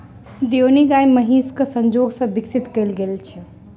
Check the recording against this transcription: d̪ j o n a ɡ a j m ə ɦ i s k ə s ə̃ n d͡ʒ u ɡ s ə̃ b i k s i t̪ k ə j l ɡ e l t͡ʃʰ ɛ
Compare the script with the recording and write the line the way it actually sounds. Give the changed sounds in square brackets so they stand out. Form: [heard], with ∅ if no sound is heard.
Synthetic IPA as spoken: d̪ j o n [i] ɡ a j m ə ɦ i s k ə s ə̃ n d͡ʒ [o] ɡ s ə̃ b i k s i t̪ k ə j l ɡ e l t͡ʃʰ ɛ